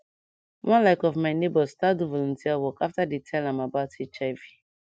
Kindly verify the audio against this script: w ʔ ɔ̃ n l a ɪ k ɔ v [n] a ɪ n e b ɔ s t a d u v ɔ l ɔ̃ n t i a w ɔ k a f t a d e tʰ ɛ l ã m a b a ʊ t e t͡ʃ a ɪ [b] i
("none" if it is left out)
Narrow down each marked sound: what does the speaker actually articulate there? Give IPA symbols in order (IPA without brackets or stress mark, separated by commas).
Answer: m, v